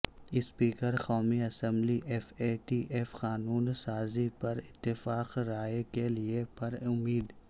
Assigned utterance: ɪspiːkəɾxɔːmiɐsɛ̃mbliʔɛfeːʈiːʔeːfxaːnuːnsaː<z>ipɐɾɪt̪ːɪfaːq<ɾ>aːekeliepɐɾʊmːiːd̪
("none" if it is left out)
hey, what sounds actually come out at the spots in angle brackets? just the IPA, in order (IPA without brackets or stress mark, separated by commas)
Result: z, ɾ